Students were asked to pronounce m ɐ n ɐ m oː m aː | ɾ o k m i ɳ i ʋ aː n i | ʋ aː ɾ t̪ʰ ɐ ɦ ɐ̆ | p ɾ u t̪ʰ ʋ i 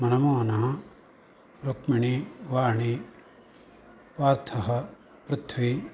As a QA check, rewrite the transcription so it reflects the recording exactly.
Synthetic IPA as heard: m ɐ n ɐ m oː n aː | ɾ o k m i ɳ i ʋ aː ɳ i | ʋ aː ɾ t̪ʰ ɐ ɦ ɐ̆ | p ɾ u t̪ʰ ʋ i